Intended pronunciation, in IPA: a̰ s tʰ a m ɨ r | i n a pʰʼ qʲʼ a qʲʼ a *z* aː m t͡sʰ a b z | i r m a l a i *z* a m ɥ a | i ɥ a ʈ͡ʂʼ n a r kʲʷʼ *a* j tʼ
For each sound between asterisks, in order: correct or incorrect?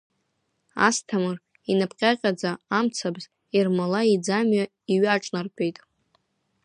incorrect: d͡z, incorrect: d͡z, incorrect: e

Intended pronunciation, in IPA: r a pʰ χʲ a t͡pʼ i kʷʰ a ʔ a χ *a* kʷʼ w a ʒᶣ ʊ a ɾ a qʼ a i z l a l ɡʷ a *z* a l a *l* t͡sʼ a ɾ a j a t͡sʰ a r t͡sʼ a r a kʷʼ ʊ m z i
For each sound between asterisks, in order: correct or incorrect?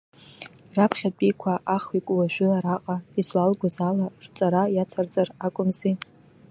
incorrect: i, correct, incorrect: r

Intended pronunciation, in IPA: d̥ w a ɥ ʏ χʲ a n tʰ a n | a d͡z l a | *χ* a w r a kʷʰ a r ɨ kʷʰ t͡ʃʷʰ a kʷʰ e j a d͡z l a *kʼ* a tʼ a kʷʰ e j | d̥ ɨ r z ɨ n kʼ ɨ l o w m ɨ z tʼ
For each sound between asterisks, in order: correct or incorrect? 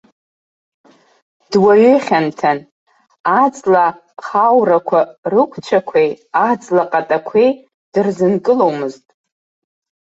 correct, incorrect: qʼ

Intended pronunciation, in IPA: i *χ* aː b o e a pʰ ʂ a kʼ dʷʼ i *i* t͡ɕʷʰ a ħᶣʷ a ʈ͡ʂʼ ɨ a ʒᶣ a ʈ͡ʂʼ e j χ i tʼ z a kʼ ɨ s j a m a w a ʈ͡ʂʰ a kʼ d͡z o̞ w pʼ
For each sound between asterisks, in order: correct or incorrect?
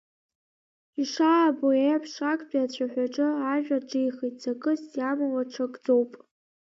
incorrect: ʂ, incorrect: a

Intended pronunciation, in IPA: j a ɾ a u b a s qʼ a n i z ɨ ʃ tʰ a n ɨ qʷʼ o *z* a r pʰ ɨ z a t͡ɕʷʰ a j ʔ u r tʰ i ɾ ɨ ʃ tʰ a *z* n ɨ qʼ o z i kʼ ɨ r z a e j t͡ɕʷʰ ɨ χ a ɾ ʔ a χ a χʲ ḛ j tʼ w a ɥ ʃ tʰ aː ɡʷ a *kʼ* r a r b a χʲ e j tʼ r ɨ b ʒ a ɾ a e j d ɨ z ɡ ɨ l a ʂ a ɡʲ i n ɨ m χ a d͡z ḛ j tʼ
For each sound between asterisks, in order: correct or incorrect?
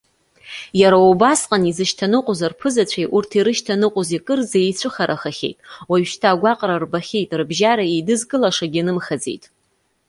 correct, incorrect: none, incorrect: qʼ

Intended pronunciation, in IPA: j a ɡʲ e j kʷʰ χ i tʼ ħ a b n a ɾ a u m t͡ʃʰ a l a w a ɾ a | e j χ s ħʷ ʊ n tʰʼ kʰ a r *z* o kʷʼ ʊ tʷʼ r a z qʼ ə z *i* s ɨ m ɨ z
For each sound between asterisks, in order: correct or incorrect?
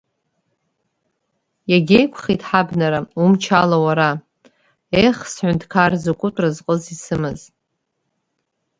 correct, correct

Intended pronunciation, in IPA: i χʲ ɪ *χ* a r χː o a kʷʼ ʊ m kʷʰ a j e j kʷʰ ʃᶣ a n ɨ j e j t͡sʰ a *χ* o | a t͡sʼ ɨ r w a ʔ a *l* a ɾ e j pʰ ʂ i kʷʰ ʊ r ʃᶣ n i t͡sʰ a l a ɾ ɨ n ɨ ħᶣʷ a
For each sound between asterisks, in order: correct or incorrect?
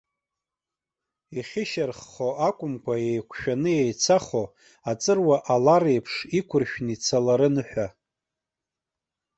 incorrect: ʃ, correct, correct

